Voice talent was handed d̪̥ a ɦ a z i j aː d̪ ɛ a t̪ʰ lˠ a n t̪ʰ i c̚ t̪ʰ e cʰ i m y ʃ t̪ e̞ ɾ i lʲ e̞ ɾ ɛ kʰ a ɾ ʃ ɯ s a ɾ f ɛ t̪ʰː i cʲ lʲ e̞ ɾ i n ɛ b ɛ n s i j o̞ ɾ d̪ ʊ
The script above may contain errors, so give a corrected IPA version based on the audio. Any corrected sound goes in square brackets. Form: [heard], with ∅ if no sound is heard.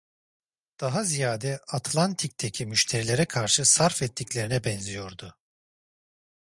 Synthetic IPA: d̪̥ a ɦ a z i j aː d̪ ɛ a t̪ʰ lˠ a n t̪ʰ i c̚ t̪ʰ e cʰ i m y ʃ [t̪ʰ] e̞ ɾ i lʲ e̞ ɾ ɛ kʰ a ɾ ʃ ɯ s a ɾ f ɛ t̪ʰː i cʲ lʲ e̞ ɾ i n ɛ b ɛ n [z] i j o̞ ɾ d̪ ʊ